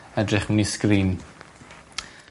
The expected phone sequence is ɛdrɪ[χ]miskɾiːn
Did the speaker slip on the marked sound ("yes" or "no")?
no